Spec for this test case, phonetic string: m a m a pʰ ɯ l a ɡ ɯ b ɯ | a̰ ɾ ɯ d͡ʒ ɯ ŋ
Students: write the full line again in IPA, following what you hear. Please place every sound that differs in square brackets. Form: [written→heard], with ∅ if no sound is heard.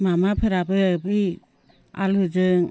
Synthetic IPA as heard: m a m a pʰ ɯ [l→ɾ] a [ɡ→b] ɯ b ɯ | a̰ [ɾ→l] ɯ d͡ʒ ɯ ŋ